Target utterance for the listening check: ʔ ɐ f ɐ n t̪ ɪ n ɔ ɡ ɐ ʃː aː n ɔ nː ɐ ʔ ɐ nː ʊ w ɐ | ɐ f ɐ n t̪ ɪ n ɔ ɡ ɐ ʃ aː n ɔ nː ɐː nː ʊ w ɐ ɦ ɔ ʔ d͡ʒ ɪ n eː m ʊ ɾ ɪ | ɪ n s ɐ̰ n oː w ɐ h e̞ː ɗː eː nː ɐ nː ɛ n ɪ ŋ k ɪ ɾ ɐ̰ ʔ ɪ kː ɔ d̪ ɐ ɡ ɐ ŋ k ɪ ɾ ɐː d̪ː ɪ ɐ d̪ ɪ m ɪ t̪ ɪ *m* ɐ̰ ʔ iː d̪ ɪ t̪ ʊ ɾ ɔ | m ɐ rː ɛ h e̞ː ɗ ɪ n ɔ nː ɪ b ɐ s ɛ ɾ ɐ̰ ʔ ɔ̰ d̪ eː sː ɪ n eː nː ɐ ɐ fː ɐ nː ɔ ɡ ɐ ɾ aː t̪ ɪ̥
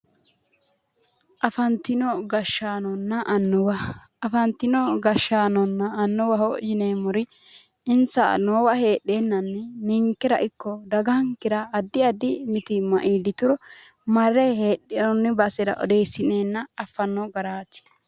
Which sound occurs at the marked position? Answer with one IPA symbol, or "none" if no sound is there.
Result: m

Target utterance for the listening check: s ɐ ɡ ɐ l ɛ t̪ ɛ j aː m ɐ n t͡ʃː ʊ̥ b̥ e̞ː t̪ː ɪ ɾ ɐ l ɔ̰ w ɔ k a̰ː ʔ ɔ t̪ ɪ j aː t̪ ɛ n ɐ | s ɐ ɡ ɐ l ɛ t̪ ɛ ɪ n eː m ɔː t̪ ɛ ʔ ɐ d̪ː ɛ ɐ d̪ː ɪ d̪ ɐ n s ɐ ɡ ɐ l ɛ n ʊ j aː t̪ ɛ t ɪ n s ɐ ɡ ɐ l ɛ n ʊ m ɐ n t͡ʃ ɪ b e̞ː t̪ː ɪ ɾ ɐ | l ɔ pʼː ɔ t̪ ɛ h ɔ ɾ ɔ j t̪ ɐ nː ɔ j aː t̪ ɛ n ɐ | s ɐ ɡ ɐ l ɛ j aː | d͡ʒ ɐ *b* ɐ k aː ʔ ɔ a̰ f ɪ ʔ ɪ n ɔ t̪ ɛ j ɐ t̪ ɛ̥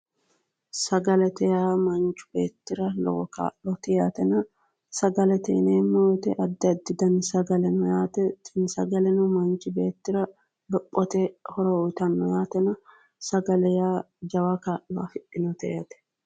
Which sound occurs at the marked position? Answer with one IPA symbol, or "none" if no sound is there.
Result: w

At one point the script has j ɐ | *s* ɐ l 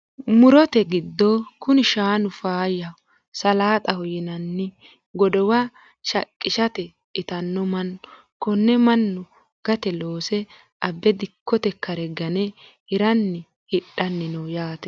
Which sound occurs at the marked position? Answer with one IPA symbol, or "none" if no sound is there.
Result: s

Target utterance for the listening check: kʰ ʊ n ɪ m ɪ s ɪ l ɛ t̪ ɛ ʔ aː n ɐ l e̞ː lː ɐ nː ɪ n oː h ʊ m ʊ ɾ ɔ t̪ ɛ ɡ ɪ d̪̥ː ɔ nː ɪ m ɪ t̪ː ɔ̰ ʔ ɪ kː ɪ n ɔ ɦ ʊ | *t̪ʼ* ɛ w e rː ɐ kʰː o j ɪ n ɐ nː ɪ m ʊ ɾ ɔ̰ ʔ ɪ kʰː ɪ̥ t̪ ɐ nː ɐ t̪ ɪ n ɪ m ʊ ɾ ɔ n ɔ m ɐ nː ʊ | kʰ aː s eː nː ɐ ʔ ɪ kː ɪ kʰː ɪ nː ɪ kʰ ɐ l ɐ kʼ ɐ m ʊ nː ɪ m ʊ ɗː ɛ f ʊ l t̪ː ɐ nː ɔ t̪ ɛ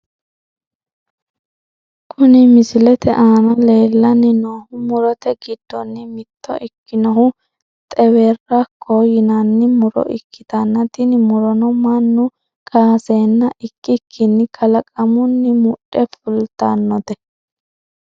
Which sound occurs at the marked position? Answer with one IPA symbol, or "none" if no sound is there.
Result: t̪ʼ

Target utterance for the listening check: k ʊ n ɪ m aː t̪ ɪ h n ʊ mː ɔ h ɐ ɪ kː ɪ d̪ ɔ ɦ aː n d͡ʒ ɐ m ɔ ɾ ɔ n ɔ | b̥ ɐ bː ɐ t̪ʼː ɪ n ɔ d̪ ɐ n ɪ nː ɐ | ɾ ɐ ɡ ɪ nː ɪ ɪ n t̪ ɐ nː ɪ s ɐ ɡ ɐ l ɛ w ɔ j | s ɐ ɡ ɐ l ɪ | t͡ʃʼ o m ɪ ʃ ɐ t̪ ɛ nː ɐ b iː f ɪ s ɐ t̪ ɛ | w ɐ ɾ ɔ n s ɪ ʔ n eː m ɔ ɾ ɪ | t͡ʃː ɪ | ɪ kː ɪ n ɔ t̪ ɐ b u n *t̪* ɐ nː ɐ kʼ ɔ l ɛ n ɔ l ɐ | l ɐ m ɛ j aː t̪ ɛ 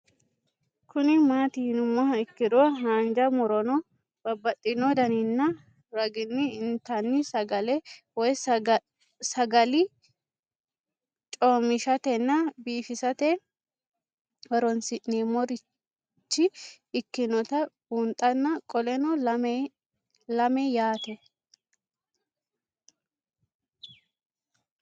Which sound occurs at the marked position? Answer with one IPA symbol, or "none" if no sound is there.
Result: t̪ʼ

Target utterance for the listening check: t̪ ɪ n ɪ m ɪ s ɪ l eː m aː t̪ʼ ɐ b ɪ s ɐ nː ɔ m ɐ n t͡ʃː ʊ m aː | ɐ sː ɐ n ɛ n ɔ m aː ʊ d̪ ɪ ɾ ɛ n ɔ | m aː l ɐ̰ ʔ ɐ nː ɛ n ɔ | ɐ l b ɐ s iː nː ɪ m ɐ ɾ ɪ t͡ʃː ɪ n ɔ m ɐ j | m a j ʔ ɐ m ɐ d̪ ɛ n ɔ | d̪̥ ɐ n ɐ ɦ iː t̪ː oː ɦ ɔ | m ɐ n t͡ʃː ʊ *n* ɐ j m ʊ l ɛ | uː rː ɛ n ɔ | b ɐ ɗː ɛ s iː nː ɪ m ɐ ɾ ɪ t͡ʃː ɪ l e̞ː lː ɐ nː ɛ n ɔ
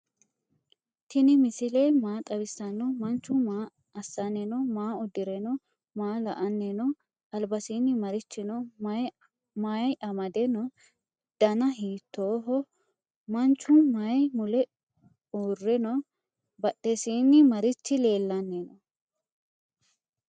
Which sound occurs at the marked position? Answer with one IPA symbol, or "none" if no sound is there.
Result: m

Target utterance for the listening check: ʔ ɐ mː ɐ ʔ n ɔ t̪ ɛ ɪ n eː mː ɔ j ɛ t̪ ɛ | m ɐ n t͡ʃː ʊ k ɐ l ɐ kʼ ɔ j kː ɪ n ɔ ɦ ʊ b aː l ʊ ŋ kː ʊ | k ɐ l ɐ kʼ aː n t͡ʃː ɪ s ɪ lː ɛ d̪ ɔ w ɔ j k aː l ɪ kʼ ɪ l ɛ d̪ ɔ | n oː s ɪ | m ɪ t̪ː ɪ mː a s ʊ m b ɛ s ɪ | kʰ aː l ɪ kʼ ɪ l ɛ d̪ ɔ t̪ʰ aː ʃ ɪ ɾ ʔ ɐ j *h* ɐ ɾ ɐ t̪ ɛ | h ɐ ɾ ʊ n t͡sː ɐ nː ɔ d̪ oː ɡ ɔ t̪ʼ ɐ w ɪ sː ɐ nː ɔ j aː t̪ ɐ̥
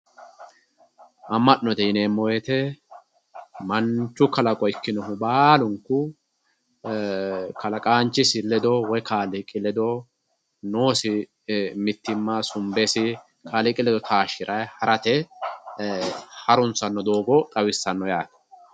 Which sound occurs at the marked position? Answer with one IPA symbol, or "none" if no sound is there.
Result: h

